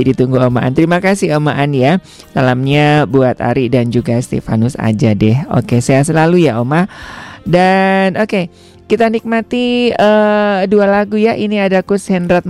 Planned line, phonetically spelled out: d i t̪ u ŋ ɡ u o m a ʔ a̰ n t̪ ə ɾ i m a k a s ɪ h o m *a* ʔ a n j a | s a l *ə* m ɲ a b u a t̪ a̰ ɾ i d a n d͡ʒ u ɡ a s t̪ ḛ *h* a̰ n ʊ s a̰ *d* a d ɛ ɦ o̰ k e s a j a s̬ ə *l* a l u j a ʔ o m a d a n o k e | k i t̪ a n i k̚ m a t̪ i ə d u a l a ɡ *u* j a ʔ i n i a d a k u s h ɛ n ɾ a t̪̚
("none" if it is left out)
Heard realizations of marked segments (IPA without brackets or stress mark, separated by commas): a, a, f, d͡ʒ, l, u